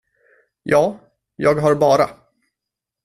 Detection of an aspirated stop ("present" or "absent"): absent